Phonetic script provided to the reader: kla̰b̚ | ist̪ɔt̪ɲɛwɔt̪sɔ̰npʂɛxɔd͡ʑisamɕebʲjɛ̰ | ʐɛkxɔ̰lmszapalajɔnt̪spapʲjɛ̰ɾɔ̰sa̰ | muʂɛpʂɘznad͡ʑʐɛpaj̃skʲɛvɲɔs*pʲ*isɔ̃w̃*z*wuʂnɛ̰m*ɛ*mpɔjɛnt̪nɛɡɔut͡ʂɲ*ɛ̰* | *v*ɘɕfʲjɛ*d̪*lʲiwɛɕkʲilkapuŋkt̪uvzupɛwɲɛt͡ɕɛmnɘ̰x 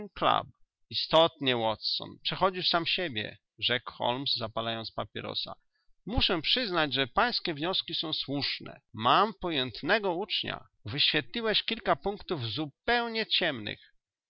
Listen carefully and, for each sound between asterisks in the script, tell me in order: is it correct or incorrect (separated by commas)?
incorrect, incorrect, incorrect, incorrect, correct, incorrect